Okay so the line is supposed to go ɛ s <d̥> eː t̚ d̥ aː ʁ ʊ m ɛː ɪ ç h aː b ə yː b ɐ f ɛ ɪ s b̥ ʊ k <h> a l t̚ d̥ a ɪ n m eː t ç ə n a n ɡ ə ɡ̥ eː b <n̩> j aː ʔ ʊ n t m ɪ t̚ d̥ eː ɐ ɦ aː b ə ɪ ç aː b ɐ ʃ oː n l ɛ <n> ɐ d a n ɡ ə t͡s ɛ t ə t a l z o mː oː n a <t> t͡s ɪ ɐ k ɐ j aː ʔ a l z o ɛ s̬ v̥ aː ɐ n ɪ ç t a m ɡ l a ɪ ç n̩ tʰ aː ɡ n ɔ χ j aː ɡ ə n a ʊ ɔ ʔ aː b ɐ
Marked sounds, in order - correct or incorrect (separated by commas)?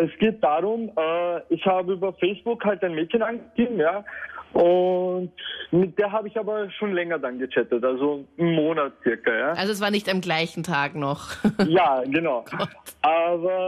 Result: incorrect, correct, incorrect, incorrect, correct